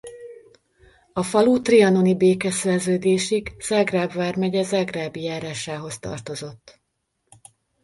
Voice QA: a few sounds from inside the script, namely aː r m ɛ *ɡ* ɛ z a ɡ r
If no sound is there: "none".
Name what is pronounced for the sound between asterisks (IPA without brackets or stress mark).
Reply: ɟ